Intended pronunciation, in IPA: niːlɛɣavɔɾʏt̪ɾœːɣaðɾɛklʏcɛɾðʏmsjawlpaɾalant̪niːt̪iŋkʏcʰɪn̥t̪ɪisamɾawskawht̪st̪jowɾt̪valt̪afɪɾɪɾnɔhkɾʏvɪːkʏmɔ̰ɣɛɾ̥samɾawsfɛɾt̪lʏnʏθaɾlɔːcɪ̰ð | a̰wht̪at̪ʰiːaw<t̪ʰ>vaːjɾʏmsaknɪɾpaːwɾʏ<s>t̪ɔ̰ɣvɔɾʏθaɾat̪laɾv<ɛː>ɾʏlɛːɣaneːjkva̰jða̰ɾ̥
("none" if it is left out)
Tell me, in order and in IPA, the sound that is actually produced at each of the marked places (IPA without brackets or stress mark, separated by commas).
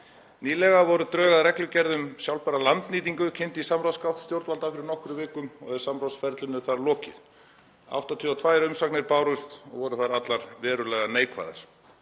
t̪ʰ, s, ɛː